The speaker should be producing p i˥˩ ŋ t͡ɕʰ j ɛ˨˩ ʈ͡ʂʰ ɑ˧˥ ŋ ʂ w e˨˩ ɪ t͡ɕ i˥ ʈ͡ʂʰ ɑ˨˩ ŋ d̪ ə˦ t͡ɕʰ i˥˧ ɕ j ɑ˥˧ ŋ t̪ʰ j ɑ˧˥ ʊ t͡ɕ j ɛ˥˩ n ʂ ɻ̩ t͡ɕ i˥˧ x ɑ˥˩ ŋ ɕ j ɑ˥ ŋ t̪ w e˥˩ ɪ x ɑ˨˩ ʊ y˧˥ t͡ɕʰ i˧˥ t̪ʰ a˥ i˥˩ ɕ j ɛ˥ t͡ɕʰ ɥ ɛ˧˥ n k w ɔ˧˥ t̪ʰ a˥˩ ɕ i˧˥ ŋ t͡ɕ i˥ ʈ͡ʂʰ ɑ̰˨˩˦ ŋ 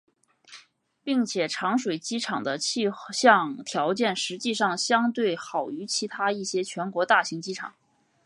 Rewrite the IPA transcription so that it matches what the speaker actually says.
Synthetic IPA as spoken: p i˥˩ ŋ t͡ɕʰ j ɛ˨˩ ʈ͡ʂʰ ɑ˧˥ ŋ ʂ w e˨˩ ɪ t͡ɕ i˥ ʈ͡ʂʰ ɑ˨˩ ŋ d̪ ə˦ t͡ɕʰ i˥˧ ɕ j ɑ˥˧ ŋ t̪ʰ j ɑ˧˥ ʊ t͡ɕ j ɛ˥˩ n ʂ ɻ̩ t͡ɕ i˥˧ ʂ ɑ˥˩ ŋ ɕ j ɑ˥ ŋ t̪ w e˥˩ ɪ x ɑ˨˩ ʊ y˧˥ t͡ɕʰ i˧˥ t̪ʰ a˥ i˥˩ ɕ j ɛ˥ t͡ɕʰ ɥ ɛ˧˥ n k w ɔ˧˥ t̪ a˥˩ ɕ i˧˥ ŋ t͡ɕ i˥ ʈ͡ʂʰ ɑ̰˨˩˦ ŋ

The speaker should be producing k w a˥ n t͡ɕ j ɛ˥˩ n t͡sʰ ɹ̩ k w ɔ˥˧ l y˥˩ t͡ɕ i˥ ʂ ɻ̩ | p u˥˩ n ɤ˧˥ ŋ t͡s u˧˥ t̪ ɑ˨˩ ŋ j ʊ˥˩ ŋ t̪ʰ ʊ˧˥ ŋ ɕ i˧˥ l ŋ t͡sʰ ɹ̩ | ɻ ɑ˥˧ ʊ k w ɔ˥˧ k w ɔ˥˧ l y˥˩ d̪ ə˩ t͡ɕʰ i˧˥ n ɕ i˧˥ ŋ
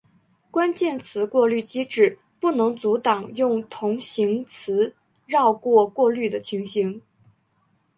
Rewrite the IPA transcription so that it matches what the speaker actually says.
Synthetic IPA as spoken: k w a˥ n t͡ɕ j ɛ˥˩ n t͡sʰ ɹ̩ k w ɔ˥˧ l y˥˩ t͡ɕ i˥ ʈ͡ʂ ɻ̩ | p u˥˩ n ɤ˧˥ ŋ t͡s u˧˥ t̪ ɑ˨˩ ŋ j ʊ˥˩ ŋ t̪ʰ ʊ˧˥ ŋ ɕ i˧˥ ŋ t͡sʰ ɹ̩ | ɻ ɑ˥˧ ʊ k w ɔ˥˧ k w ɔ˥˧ l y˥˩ d̪ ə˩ t͡ɕʰ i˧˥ ŋ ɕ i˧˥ ŋ

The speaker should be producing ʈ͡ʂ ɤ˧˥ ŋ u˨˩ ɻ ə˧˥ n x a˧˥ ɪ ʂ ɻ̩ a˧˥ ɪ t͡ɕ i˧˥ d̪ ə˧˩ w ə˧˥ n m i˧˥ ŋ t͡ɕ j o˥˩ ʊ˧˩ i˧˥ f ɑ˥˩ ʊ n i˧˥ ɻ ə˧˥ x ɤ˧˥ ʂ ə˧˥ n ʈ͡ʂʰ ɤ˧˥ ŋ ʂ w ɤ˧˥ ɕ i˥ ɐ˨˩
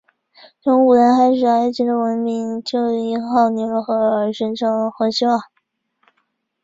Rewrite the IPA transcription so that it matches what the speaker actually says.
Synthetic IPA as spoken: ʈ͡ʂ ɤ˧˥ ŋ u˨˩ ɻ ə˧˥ n x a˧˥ ɪ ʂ ɻ̩ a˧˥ ɪ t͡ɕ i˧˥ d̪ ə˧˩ w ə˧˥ n m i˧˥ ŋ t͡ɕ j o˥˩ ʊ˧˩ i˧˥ x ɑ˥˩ ʊ n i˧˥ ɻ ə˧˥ x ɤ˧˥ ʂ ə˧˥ n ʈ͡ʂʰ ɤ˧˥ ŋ x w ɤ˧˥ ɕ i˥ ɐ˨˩

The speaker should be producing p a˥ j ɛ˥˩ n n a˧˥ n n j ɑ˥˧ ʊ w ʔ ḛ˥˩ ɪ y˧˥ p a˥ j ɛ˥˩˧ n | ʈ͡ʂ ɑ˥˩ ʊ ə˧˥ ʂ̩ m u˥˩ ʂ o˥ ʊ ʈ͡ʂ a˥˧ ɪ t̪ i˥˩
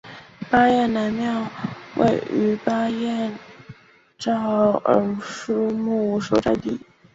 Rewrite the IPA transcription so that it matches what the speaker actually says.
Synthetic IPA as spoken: p a˥ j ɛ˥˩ n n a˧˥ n m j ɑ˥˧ ʊ w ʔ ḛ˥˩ ɪ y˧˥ p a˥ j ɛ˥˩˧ n | ʈ͡ʂ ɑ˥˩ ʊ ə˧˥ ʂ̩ m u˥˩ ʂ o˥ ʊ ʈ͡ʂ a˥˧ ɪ t̪ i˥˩

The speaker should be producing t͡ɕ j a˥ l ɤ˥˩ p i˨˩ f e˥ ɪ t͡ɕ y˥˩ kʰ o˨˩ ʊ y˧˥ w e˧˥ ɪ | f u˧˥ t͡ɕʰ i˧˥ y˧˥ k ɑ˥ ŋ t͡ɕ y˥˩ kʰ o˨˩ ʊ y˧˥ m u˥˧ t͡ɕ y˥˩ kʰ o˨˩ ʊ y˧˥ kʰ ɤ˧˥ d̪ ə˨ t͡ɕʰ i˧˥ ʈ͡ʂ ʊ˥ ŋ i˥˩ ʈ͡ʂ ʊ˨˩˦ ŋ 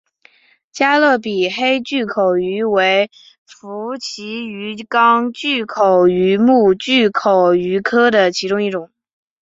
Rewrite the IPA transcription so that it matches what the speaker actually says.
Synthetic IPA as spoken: t͡ɕ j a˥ l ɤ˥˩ p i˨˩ x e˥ ɪ t͡ɕ y˥˩ kʰ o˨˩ ʊ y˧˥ w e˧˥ ɪ | f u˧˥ t͡ɕʰ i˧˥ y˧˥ k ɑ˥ ŋ t͡ɕ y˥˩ kʰ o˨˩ ʊ y˧˥ m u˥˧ t͡ɕ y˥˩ kʰ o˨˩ ʊ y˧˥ kʰ ɤ˥ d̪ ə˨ t͡ɕʰ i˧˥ ʈ͡ʂ ʊ˥ ŋ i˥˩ ʈ͡ʂ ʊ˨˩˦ ŋ

